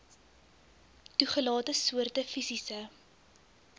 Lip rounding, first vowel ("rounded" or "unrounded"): rounded